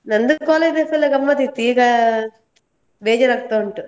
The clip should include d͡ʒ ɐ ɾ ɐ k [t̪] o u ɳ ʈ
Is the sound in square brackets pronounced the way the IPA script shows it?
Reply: yes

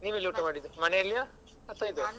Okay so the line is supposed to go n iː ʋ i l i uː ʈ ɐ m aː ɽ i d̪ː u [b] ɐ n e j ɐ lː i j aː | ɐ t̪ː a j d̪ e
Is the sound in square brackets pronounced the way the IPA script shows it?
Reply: no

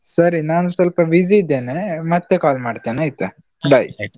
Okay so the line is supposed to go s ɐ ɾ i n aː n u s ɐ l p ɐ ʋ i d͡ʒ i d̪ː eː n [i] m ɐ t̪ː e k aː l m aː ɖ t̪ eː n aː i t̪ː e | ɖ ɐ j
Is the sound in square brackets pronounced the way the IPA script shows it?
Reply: no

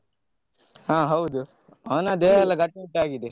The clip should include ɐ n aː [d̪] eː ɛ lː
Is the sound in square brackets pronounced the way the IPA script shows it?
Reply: yes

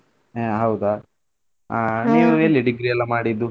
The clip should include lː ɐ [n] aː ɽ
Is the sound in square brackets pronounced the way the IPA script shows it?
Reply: no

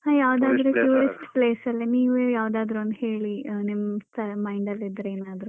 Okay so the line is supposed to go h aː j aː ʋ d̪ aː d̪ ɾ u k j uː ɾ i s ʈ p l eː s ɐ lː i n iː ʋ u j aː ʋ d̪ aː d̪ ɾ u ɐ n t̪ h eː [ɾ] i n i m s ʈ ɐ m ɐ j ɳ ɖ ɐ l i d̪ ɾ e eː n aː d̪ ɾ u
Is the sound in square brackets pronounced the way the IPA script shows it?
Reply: no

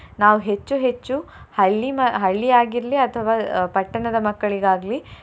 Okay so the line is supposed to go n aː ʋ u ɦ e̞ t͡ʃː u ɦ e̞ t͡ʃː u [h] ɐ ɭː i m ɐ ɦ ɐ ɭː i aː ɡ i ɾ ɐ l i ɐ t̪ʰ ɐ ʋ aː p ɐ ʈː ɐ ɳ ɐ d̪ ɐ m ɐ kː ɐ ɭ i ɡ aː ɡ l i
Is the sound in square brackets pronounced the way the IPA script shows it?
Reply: yes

